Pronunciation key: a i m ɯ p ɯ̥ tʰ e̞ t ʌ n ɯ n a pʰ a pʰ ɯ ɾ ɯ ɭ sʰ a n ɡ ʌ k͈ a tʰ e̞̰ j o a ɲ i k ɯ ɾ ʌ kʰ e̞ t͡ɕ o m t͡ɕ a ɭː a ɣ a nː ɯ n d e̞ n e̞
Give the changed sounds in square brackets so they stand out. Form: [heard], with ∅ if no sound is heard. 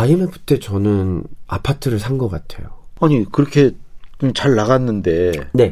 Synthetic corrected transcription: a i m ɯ p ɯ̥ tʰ e̞ [t͡ɕ] ʌ n ɯ n a pʰ a [tʰ] ɯ ɾ ɯ ɭ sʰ a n ɡ ʌ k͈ a tʰ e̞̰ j o a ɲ i k ɯ ɾ ʌ kʰ e̞ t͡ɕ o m t͡ɕ a ɭː a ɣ a nː ɯ n d e̞ n e̞